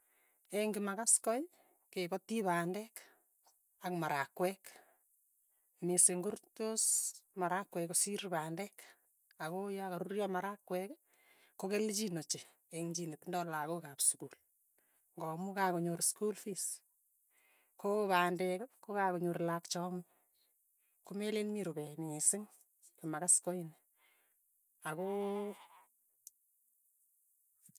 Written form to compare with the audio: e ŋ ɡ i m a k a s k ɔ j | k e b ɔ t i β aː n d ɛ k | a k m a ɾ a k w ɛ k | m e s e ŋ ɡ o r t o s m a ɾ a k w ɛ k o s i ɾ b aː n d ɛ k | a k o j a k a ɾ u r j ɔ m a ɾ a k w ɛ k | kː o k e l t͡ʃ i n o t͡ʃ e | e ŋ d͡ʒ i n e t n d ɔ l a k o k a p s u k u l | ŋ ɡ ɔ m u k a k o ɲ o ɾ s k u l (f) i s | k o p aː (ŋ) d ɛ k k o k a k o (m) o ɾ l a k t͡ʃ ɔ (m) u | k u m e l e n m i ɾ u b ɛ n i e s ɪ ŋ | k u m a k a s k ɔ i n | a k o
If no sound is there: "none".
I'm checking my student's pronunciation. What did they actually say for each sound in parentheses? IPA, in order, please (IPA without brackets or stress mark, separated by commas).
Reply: f, n, ɲ, m